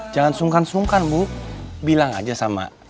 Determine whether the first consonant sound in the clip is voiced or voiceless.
voiced